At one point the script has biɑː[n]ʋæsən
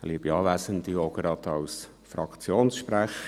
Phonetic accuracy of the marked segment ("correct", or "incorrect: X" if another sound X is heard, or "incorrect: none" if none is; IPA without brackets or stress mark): incorrect: none